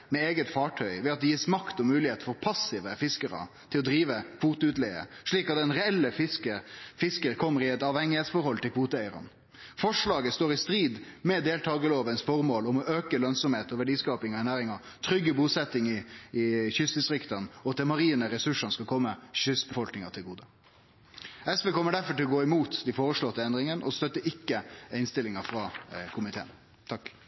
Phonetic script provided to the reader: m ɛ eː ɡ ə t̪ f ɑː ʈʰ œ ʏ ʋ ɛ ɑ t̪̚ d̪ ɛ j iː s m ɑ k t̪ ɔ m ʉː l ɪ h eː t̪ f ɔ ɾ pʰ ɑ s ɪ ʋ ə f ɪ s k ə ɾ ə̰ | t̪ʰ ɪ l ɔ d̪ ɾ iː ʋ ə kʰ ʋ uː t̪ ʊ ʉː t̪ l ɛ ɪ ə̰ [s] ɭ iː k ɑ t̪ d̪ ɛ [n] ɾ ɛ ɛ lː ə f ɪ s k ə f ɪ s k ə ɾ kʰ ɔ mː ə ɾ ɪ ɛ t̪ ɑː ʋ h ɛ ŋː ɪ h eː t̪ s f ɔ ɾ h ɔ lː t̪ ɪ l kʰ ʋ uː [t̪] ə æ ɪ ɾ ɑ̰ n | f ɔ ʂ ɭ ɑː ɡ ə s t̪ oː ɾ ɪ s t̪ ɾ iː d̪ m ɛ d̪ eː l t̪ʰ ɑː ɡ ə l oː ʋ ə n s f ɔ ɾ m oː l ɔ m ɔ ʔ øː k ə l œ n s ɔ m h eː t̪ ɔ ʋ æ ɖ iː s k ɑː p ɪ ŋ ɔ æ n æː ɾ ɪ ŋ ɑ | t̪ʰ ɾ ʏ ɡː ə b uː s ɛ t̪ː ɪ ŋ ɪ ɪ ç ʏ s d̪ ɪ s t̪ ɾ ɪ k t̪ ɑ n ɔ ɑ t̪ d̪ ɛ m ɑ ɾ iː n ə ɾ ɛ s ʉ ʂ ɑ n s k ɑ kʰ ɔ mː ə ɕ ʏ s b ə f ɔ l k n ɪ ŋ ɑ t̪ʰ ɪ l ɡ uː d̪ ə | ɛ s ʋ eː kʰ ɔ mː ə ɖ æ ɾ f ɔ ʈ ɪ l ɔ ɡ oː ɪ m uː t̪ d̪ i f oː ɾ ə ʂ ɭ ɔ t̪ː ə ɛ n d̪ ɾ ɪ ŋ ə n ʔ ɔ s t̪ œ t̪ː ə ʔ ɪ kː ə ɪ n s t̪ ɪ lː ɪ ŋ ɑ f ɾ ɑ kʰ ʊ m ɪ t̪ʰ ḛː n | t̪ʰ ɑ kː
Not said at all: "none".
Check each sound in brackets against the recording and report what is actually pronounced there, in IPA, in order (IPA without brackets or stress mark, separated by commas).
ʂ, n, t̪